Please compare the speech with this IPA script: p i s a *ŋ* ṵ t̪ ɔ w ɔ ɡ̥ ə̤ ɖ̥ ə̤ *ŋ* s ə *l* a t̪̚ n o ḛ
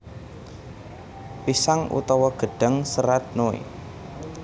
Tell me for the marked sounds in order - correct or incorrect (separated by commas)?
correct, correct, incorrect